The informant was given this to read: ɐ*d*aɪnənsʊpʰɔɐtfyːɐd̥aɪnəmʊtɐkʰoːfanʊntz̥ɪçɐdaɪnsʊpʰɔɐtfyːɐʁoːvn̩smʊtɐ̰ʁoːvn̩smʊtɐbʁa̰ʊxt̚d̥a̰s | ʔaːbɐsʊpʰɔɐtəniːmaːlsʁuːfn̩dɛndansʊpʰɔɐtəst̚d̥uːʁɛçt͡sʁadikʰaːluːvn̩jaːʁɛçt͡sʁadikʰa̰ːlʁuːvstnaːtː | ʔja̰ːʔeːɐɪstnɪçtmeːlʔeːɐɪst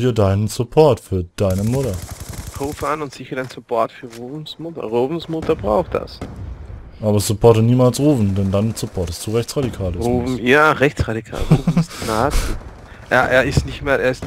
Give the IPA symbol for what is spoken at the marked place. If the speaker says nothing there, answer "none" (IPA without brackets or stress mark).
d